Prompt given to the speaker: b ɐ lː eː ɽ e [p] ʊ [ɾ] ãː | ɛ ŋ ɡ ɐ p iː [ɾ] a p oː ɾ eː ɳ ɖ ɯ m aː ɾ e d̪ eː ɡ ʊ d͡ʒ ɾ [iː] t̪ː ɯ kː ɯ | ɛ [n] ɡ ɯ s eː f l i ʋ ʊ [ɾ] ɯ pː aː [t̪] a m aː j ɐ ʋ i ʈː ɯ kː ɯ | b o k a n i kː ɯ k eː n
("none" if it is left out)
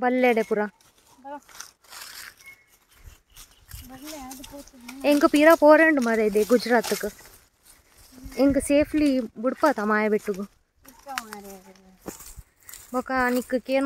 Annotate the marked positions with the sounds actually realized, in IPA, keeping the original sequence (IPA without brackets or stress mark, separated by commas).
p, ɾ, ɾ, aː, ŋ, ɽ, t̪